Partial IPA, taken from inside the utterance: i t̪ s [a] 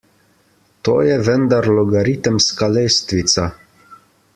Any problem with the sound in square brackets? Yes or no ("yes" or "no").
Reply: no